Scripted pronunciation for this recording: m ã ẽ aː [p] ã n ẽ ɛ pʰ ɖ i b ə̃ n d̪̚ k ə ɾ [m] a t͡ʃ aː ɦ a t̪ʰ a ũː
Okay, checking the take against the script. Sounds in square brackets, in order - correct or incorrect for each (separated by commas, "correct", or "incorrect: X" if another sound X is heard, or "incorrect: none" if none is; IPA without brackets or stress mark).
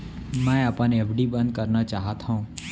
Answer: correct, incorrect: n